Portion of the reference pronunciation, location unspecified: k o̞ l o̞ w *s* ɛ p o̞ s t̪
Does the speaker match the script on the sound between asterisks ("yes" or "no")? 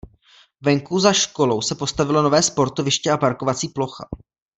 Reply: yes